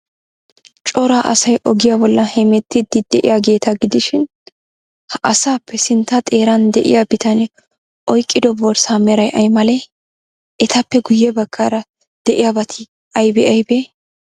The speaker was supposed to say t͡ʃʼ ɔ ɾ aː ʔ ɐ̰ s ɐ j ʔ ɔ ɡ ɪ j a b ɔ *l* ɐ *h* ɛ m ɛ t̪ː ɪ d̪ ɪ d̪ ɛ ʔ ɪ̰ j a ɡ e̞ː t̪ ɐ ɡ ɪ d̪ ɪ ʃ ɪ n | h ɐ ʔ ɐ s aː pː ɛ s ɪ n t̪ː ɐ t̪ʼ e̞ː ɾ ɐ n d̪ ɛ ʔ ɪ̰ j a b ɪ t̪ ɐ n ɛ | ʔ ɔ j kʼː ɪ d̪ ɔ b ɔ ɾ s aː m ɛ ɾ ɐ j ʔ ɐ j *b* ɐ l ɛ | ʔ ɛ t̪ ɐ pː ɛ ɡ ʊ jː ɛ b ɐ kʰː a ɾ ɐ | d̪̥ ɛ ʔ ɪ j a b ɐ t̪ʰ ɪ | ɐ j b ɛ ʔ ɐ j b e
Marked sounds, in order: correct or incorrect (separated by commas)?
incorrect, correct, incorrect